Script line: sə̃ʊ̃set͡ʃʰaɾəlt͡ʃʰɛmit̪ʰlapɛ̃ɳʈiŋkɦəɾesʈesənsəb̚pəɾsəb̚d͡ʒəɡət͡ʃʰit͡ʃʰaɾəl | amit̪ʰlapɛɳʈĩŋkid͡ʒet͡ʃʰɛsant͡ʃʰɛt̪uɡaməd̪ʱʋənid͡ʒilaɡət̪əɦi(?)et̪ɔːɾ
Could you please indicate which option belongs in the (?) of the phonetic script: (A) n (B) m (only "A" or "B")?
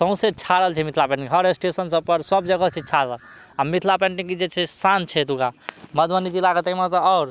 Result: B